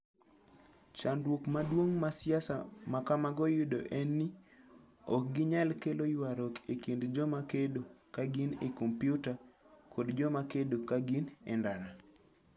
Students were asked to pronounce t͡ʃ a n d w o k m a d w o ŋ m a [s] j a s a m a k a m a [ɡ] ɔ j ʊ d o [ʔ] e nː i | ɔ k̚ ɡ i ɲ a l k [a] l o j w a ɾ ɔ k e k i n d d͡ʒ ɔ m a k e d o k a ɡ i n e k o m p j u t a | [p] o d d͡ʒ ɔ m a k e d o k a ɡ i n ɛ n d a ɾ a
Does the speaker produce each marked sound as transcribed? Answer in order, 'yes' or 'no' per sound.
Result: yes, yes, yes, no, no

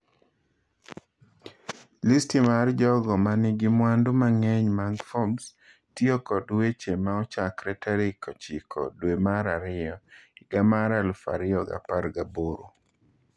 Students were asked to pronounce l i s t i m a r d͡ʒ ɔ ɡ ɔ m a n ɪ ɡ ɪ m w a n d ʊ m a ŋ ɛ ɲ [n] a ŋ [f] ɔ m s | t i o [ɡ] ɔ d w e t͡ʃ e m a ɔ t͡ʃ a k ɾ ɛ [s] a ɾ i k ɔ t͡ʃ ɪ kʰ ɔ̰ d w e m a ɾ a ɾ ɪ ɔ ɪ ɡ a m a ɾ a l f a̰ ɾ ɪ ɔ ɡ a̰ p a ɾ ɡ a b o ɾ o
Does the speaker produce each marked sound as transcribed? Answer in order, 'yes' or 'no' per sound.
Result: no, yes, no, no

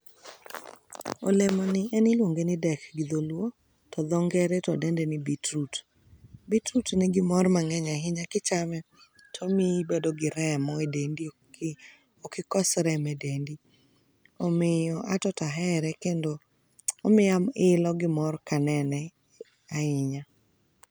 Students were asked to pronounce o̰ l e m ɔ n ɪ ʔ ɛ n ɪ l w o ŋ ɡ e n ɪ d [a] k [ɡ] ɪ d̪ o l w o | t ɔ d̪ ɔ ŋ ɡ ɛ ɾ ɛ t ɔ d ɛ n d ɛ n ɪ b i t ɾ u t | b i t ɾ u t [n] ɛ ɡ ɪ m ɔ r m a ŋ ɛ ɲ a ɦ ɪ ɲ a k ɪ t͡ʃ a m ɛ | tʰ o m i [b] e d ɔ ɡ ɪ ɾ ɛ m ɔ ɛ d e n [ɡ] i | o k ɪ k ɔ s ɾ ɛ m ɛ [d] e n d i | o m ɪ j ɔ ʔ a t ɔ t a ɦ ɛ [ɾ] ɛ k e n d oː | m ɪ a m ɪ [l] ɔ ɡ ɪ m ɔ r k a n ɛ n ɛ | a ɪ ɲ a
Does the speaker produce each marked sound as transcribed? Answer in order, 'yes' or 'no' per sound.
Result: no, yes, yes, yes, no, yes, yes, yes

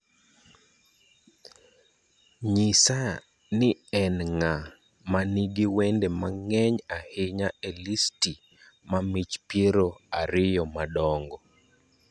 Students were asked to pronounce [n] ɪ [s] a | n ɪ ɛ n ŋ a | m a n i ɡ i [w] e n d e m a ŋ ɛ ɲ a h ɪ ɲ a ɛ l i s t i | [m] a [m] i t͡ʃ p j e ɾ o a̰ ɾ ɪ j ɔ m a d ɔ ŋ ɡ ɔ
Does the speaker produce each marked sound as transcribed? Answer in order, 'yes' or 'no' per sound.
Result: no, yes, yes, yes, yes

